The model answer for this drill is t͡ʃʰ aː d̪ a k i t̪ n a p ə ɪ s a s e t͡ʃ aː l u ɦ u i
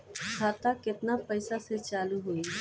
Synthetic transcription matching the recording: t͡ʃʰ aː t̪ a k ɪ t̪ n a p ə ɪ s a s e t͡ʃ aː l u ɦ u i